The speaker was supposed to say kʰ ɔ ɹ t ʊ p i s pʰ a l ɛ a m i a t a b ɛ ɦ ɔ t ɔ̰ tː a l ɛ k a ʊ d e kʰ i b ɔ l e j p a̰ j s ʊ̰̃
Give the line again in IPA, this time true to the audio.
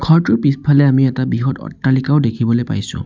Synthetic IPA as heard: kʰ ɔ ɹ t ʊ p i s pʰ a l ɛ a m i ɛ t a b i ɦ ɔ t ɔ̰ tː a l i k a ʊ d e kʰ i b ɔ l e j p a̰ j s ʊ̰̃